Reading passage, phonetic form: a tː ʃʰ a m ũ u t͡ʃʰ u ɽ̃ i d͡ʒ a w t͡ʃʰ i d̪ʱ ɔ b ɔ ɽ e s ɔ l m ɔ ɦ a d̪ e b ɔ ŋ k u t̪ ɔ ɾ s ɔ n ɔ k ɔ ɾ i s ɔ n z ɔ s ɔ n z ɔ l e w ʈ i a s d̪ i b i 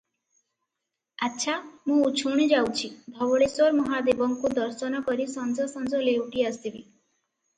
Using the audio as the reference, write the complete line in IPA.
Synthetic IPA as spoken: a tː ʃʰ a m ũ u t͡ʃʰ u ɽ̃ i d͡ʒ a w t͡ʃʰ i d̪ʱ ɔ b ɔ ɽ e s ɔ ɾ m ɔ ɦ a d̪ e b ɔ ŋ k u d̪ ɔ ɾ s ɔ n ɔ k ɔ ɾ i s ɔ n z ɔ s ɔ n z ɔ l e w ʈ i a s t̪ i b i